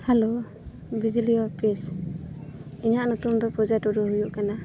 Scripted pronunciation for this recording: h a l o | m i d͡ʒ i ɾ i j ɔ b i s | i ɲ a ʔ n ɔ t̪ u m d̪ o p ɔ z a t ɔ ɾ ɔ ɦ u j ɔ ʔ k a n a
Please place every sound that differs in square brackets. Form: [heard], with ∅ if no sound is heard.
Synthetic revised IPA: h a l o | [b] i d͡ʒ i [l] i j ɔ [p] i s | i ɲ a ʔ n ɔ t̪ u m d̪ [ɔ] p ɔ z a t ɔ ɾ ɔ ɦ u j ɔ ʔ k a n a